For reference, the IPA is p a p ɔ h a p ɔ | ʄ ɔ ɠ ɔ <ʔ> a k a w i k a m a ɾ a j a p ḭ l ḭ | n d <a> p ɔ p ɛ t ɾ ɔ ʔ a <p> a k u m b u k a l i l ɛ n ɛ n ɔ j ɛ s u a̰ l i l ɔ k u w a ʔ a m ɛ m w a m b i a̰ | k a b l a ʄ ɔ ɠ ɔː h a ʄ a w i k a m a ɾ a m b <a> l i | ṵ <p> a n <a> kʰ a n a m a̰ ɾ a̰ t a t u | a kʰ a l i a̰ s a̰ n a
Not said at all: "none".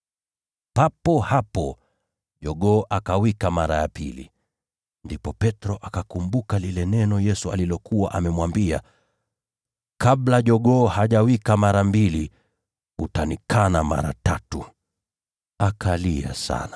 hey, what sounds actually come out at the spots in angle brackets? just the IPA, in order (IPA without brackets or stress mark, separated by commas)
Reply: ʔ, i, k, i, t, i